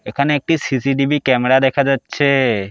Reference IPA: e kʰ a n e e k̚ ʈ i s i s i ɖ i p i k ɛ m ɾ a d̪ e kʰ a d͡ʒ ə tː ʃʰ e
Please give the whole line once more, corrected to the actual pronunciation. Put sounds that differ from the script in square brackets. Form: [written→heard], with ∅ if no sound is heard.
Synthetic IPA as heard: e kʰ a n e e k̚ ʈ i s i s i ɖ i [p→b] i k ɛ m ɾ a d̪ e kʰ a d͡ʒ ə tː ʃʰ e